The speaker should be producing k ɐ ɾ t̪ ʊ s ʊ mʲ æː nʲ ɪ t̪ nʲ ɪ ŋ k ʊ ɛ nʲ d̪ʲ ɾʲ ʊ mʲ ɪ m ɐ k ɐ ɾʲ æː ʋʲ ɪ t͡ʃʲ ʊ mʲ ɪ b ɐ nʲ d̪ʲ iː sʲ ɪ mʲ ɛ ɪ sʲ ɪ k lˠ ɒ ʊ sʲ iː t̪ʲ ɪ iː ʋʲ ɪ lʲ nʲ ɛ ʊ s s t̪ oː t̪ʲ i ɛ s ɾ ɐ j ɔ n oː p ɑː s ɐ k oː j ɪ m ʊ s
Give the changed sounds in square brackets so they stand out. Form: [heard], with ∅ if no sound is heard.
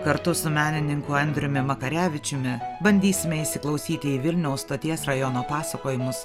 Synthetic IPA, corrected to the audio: k ɐ ɾ t̪ ʊ s ʊ mʲ æː nʲ ɪ [∅] nʲ ɪ ŋ k ʊ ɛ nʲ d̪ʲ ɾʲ ʊ mʲ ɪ m ɐ k ɐ ɾʲ æː ʋʲ ɪ t͡ʃʲ ʊ mʲ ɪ b ɐ nʲ d̪ʲ iː sʲ ɪ mʲ ɛ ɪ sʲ ɪ k lˠ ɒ ʊ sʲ iː t̪ʲ ɪ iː ʋʲ ɪ lʲ nʲ ɛ ʊ s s t̪ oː t̪ʲ i ɛ s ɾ ɐ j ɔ n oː p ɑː s ɐ k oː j ɪ m ʊ s